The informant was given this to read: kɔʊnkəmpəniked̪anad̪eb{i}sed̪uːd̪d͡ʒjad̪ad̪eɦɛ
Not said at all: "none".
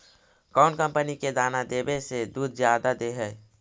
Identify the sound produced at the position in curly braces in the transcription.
e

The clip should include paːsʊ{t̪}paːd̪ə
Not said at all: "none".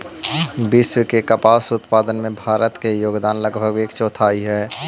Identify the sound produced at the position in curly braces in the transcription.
t̪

